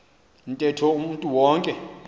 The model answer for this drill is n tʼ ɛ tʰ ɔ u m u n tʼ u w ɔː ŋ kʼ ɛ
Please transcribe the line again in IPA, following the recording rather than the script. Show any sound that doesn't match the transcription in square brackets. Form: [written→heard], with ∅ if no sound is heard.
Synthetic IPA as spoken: n tʼ ɛ tʰ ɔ u m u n tʼ u w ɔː ŋ kʼ ɛ